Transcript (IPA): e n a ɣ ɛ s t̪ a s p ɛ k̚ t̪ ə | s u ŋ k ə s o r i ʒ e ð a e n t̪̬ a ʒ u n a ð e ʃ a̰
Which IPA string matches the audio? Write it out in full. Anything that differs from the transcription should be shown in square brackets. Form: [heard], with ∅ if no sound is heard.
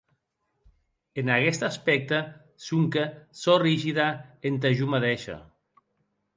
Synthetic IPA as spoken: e n a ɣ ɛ s t̪ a s p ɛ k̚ t̪ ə | s u ŋ k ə s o r i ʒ [i] ð a e n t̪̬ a ʒ u [m] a ð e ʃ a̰